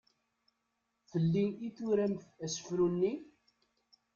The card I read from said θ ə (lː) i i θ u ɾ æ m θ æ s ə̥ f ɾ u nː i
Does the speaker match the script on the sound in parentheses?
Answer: yes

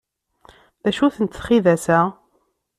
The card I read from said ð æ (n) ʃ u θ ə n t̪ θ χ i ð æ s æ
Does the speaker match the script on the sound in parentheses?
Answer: no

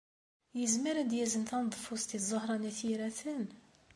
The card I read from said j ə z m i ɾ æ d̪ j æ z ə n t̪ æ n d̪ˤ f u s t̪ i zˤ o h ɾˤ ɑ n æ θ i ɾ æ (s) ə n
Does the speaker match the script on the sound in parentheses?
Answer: no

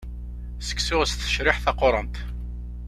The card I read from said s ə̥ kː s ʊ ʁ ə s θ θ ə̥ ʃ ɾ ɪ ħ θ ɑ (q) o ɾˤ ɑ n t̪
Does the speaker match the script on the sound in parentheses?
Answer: yes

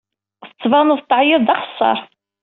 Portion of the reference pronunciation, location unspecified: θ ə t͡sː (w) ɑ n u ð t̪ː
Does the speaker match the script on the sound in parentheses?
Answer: no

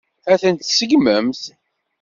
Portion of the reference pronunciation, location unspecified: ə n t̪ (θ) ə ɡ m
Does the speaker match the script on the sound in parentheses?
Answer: no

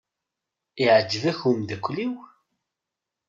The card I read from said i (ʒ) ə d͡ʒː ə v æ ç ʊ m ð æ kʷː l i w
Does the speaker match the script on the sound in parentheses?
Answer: no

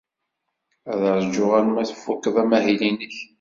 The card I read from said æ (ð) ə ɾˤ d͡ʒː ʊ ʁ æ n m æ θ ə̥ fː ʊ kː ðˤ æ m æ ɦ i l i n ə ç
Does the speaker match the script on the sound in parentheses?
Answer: yes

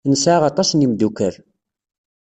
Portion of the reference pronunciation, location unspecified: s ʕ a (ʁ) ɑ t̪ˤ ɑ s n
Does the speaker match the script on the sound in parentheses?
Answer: yes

